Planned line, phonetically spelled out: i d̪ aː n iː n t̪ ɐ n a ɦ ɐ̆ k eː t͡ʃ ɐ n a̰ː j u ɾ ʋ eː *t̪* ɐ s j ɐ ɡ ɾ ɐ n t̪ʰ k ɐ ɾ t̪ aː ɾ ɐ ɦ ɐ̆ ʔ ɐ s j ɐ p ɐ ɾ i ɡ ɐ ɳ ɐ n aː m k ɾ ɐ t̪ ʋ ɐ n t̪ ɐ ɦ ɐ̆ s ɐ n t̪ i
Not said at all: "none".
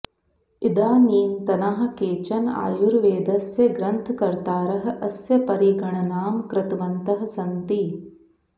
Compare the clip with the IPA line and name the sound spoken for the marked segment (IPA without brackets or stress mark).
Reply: d̪